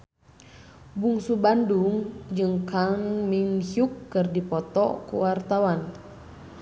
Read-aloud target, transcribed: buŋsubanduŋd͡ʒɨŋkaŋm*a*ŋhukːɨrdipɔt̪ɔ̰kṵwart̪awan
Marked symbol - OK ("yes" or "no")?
no